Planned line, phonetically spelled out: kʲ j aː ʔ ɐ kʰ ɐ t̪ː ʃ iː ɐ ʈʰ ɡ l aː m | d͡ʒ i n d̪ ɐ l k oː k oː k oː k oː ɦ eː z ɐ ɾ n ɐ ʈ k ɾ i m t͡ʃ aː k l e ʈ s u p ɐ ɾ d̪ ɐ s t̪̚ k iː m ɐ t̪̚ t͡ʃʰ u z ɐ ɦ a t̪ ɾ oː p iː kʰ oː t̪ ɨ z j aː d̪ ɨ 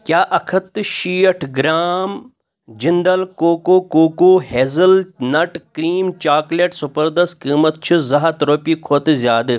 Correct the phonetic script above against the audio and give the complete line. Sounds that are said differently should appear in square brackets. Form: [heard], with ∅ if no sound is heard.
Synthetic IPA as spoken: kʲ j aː ʔ ɐ kʰ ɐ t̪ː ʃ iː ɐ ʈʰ ɡ [ɾ] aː m | d͡ʒ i n d̪ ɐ l k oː k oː k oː k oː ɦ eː z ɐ [l] n ɐ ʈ k ɾ [iː] m t͡ʃ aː k l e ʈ s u p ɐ ɾ d̪ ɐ s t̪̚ k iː m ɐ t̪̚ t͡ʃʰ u z ɐ ɦ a t̪ ɾ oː p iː kʰ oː t̪ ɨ z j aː d̪ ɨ